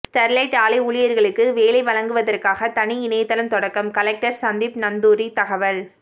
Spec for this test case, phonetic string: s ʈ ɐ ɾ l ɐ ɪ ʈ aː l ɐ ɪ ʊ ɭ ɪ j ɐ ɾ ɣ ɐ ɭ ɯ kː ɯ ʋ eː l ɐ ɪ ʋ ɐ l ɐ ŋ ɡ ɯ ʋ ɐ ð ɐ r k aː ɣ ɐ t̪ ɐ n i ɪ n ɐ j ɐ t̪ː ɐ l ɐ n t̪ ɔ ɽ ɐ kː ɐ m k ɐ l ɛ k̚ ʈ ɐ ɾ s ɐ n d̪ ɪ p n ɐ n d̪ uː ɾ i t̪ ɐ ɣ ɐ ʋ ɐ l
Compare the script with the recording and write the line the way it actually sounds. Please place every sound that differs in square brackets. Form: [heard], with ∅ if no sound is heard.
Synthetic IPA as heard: s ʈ ɐ ɾ l ɐ ɪ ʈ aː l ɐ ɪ ʊ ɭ ɪ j ɐ ɾ ɣ ɐ ɭ ɯ kː ɯ ʋ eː l ɐ ɪ ʋ ɐ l ɐ ŋ ɡ ɯ ʋ ɐ ð ɐ r k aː ɣ ɐ t̪ ɐ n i ɪ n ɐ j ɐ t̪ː ɐ l ɐ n t̪ ɔ ɽ ɐ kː ɐ m k ɐ l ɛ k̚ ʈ ɐ ɾ s ɐ n d̪ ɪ p n ɐ n d̪ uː ɾ i t̪ ɐ ɣ ɐ ʋ ɐ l